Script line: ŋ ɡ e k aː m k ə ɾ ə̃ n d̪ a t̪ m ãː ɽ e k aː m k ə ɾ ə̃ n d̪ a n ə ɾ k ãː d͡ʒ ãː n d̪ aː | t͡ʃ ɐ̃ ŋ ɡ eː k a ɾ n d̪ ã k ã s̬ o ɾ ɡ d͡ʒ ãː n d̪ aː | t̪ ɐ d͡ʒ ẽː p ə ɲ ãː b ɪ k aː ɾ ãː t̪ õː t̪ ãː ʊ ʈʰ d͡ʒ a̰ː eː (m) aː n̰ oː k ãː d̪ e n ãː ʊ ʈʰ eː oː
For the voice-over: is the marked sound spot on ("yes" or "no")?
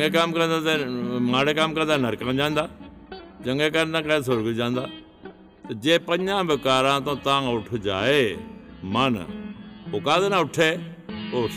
yes